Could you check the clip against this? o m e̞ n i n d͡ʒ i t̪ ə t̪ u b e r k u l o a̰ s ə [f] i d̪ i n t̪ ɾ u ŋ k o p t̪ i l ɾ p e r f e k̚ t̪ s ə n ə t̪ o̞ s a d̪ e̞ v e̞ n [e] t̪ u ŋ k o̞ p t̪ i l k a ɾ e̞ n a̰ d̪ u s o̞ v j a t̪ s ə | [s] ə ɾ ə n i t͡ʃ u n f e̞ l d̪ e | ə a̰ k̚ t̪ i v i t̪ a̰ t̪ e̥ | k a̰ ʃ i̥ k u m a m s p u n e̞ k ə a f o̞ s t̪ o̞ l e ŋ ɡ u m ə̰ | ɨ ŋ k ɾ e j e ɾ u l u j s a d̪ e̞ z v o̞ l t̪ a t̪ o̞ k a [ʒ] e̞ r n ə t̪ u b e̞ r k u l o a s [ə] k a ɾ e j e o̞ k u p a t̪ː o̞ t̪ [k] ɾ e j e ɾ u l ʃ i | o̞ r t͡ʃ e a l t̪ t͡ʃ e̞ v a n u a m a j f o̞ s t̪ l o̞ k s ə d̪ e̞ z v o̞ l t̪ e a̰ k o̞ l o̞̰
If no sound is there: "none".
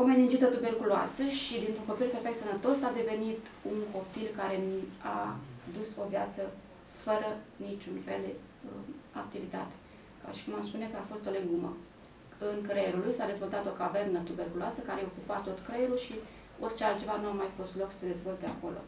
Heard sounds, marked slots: ʃ, i, f, v, ə, k

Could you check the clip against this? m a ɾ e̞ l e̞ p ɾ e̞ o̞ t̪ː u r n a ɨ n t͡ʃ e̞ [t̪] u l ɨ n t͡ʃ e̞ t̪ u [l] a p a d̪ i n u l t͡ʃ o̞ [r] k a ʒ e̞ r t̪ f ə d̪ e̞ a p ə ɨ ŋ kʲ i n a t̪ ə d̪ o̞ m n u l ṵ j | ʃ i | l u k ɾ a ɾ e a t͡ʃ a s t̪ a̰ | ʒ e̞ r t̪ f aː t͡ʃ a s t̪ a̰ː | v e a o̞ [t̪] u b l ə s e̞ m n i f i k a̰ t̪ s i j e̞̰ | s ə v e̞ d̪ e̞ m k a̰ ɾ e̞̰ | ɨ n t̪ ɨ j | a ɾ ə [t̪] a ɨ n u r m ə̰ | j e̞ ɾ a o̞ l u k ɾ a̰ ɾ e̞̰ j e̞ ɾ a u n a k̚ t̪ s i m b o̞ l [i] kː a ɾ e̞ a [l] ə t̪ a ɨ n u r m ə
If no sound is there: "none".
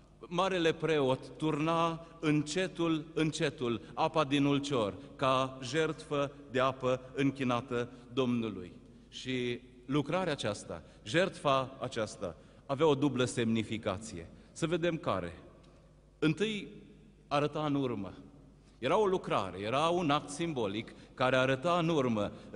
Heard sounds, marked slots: t̪, l, r, d̪, t̪, i, ɾ

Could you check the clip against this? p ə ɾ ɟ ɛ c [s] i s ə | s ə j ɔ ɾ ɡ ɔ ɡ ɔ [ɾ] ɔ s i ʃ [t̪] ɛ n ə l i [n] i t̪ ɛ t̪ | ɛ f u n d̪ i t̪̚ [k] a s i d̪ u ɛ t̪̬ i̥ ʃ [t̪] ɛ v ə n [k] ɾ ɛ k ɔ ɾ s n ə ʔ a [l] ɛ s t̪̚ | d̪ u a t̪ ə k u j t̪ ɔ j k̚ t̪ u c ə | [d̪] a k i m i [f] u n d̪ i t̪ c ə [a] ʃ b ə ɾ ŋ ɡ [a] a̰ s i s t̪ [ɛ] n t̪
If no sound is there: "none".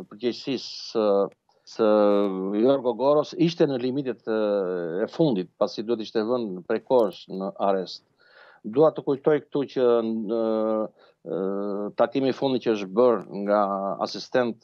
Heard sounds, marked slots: s, ɾ, t̪, m, p, t̪, p, ɾ, t̪, f, ə, a, ɛ

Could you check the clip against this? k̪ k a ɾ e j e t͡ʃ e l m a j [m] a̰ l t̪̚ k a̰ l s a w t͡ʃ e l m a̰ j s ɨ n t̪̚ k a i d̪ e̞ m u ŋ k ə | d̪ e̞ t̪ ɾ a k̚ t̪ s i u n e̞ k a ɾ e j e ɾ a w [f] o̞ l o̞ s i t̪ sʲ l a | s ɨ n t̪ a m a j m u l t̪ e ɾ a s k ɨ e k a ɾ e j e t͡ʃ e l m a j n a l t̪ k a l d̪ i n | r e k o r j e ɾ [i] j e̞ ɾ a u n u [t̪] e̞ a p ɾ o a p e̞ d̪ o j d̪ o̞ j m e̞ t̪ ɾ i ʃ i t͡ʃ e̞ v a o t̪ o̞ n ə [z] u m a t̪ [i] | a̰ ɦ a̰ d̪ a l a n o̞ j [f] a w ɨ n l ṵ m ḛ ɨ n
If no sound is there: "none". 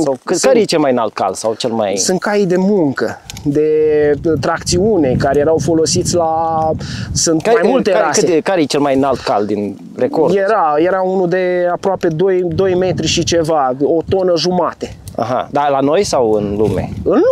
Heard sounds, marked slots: n, f, a, d̪, ʒ, e, s

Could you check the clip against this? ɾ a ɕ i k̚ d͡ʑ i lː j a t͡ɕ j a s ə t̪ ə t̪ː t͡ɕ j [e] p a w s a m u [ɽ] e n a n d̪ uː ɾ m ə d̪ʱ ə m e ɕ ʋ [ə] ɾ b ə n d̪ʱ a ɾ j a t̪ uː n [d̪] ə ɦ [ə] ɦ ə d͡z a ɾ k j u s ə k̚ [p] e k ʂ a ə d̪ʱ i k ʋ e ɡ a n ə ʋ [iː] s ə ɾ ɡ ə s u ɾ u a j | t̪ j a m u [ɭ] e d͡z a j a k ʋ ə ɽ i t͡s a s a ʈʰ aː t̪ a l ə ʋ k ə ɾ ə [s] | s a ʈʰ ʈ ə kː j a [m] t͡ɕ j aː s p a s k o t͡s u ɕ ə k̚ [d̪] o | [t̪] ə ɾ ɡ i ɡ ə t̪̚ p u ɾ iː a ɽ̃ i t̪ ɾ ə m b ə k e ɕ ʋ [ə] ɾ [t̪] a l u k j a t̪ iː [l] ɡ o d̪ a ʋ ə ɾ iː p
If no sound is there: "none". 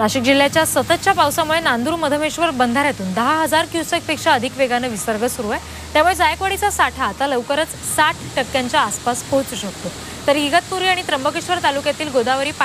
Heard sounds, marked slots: a, ɭ, ə, d̪, a, p, i, ɭ, t͡s, ɲ, t̪, t̪, ə, t̪, l

